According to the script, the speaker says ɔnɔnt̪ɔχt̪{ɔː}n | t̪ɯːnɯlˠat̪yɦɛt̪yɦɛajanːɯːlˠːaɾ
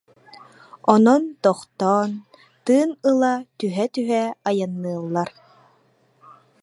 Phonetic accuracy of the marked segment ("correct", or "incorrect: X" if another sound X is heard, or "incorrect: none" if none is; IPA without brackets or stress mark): correct